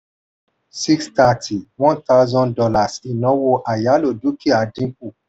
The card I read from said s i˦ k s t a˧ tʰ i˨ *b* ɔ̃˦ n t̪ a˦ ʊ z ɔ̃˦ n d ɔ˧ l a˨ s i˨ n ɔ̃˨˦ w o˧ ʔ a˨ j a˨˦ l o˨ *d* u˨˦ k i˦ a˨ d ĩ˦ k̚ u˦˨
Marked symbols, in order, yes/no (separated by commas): no, yes